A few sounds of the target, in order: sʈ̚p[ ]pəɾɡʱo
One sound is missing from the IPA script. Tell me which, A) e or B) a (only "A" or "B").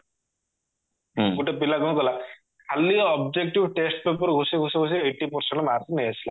A